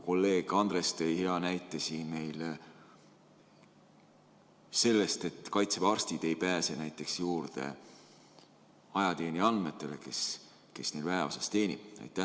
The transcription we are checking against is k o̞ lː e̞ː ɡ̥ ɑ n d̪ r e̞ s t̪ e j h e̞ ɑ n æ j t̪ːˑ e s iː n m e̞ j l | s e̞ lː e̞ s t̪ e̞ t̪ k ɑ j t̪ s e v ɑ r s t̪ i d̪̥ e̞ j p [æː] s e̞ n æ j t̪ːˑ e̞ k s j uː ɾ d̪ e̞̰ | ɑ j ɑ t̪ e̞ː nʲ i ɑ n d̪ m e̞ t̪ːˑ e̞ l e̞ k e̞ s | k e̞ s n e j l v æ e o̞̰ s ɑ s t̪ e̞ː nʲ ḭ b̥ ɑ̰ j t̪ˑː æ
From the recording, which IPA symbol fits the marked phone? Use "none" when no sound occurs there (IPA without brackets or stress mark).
æː